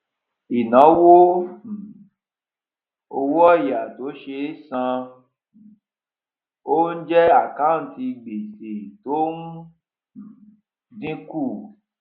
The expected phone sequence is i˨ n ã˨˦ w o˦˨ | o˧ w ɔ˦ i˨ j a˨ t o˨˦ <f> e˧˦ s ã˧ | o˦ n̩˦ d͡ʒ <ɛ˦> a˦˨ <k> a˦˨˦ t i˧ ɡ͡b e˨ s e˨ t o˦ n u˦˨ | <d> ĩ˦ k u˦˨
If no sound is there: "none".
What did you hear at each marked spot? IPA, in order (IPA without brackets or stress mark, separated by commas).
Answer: ʃ, ɛ˦, k, d